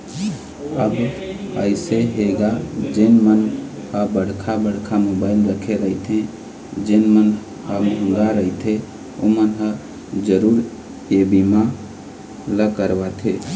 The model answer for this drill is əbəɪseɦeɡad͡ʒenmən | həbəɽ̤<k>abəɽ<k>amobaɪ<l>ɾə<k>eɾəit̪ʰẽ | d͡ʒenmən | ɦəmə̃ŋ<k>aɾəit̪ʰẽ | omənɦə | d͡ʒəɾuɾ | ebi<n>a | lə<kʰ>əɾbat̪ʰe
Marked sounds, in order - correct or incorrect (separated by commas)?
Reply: incorrect, incorrect, correct, incorrect, incorrect, incorrect, incorrect